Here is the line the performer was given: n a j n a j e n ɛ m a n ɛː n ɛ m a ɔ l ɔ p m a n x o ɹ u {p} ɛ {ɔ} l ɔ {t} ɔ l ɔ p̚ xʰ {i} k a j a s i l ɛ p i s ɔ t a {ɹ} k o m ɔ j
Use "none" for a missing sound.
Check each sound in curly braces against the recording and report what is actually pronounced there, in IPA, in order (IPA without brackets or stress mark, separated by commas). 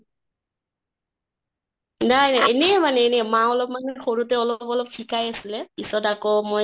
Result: t, ɔ, p, i, none